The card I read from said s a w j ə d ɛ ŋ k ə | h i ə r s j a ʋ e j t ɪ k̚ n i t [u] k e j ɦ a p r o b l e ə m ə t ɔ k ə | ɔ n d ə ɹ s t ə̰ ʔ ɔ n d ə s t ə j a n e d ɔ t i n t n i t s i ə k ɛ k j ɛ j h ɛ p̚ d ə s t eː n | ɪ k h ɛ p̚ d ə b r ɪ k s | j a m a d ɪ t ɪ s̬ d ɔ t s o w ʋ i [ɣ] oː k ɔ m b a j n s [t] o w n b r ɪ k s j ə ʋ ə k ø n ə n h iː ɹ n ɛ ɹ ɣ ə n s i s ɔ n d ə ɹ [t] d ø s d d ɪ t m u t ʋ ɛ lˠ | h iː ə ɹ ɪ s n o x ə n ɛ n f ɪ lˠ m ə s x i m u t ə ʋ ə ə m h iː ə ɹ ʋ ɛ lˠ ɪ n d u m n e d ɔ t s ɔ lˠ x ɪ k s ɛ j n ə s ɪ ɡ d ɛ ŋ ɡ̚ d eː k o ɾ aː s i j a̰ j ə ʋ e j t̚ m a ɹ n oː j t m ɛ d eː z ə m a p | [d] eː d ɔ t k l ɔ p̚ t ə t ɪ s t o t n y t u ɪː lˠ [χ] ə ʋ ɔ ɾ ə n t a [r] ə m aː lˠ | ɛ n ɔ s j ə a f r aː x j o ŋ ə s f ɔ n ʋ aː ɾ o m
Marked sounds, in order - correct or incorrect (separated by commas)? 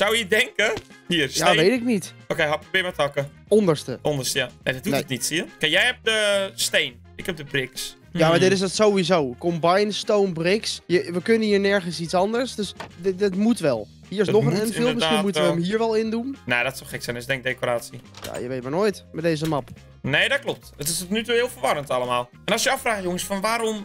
incorrect, incorrect, correct, incorrect, incorrect, incorrect, incorrect